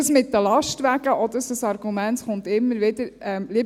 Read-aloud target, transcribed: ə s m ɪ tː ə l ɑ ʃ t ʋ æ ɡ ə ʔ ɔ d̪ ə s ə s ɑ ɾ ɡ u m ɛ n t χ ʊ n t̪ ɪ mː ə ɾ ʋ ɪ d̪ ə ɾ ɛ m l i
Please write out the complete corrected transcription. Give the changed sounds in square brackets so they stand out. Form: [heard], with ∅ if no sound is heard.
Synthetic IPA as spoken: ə s m ɪ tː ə l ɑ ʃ t ʋ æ ɡ ə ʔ ɔ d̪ ə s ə s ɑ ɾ ɡ u m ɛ n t χ ʊ n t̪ ɪ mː ə ɾ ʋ ɪ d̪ ə ɾ ɛ m l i